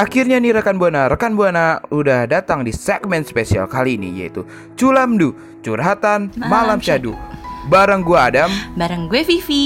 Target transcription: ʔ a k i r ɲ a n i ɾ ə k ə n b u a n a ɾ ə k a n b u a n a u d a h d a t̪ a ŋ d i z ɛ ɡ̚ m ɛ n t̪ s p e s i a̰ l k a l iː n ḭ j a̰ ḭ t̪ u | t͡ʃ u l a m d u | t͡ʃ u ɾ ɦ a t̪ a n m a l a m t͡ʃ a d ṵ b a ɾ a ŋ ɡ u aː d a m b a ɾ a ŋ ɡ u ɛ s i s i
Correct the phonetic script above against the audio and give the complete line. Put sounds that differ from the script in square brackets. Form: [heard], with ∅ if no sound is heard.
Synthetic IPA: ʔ a k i r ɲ a n i ɾ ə k [a] n b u a n a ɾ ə k a n b u a n a u d a h d a t̪ a ŋ d i [s] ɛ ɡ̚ m ɛ n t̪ s p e s i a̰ l k a l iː n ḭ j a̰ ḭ t̪ u | t͡ʃ u l a m d u | t͡ʃ u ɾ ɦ a t̪ a n m a l a m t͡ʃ a d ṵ b a ɾ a ŋ ɡ u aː d a m b a ɾ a ŋ ɡ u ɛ [f] i [f] i